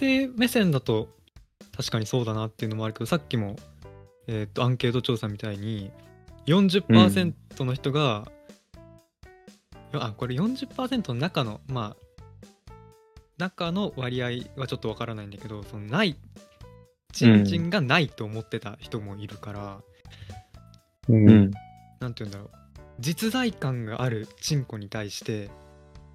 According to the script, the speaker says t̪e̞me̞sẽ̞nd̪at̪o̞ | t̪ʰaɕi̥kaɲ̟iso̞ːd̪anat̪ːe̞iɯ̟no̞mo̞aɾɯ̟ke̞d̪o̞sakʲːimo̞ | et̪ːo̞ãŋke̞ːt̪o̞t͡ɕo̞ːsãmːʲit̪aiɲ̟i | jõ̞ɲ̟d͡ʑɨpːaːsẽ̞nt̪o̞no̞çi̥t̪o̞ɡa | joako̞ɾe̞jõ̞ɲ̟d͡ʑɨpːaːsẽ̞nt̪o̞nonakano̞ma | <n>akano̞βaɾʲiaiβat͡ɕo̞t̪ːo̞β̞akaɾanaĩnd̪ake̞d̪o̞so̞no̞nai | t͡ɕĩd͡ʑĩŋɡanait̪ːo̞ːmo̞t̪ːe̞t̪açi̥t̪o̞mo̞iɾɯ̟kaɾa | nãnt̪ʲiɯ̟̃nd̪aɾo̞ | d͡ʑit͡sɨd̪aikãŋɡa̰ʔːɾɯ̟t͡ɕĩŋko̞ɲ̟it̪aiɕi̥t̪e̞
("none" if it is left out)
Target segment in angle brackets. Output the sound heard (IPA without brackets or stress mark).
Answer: n